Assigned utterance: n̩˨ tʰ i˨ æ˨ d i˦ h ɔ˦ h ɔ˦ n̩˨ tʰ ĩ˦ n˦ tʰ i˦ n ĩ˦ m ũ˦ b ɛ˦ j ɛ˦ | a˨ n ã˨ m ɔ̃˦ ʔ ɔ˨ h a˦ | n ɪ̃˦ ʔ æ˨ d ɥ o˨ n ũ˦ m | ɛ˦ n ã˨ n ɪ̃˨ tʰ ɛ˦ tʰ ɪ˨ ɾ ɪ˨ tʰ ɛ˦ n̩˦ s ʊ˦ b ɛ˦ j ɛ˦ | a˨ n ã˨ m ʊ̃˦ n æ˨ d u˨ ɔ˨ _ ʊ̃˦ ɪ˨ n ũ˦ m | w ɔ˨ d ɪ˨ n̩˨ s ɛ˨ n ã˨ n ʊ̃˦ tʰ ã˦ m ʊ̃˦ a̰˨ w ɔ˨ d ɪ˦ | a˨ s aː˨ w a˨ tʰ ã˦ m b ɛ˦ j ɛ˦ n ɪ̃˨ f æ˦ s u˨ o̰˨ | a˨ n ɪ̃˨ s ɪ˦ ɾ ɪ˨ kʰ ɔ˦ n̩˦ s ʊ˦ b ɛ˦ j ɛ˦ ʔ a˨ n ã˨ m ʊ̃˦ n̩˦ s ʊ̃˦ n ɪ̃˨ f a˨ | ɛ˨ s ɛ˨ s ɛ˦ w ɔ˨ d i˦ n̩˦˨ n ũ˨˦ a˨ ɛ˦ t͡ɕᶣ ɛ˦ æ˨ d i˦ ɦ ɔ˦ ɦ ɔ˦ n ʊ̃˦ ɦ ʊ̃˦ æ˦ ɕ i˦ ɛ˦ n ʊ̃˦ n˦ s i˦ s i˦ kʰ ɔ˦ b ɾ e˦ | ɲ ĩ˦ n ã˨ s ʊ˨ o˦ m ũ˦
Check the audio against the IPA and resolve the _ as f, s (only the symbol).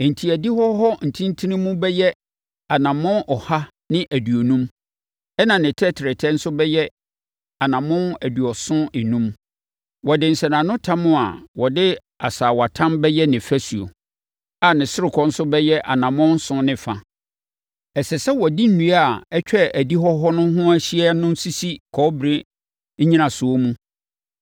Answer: s